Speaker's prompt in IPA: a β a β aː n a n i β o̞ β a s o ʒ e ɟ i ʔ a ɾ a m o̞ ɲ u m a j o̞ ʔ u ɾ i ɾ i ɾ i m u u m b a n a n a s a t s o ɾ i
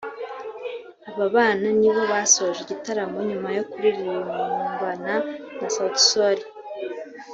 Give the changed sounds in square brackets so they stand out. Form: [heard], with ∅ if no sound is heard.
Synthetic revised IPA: a β a β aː n a n i β o̞ β a s o ʒ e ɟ i [t] a ɾ a m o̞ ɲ u m a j o̞ [k] u ɾ i ɾ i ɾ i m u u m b a n a n a s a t s o ɾ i